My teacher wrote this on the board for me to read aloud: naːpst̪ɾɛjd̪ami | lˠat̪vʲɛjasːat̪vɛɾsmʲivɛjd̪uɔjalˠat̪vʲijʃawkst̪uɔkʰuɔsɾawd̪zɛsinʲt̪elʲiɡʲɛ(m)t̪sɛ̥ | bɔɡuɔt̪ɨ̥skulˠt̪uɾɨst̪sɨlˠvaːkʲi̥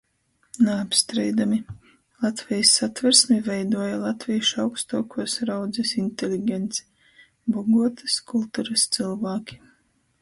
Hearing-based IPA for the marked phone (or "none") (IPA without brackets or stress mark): n